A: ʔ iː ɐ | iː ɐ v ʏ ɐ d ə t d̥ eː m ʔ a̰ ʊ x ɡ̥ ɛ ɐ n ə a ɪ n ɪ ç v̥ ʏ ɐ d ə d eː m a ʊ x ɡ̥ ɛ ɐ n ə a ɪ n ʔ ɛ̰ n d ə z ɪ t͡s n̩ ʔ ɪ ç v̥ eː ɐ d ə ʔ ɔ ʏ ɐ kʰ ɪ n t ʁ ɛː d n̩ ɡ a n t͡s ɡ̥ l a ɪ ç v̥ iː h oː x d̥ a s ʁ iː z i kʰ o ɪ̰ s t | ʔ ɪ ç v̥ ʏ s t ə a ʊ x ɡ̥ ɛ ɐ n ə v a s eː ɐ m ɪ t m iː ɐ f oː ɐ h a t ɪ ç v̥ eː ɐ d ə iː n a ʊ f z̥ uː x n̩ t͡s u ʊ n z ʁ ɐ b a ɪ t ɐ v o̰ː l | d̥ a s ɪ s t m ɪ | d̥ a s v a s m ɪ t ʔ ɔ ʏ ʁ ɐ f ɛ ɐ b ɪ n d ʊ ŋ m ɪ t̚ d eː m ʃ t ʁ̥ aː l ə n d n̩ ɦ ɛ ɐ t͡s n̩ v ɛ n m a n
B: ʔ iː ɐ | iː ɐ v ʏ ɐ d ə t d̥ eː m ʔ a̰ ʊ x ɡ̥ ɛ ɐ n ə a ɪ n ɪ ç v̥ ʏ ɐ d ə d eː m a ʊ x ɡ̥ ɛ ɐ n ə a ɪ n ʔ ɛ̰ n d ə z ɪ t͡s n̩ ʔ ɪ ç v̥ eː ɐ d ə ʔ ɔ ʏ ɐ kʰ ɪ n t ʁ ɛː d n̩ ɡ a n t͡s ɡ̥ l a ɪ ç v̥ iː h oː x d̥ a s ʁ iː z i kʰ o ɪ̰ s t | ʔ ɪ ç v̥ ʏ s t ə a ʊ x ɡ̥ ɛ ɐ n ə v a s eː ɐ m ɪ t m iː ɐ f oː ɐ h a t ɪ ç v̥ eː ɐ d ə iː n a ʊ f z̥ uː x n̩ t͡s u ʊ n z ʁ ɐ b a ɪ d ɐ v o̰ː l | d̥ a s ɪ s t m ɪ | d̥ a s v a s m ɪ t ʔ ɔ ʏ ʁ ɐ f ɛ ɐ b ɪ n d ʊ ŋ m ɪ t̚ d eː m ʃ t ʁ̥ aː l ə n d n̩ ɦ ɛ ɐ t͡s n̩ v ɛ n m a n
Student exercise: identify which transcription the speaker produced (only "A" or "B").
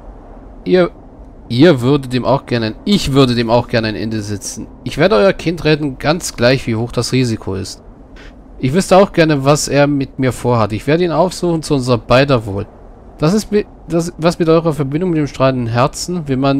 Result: B